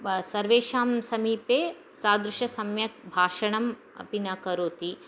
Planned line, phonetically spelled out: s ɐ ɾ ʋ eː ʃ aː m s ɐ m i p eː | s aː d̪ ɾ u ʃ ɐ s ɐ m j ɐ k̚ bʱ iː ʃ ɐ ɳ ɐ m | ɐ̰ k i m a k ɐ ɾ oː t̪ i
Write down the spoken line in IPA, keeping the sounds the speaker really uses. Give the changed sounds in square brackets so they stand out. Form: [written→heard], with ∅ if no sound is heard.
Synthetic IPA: s ɐ ɾ ʋ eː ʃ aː m s ɐ m [i→iː] p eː | s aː d̪ ɾ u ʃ ɐ s ɐ m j ɐ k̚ bʱ [iː→aː] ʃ ɐ ɳ ɐ m | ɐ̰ [k→p] i [m→n] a k ɐ ɾ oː t̪ i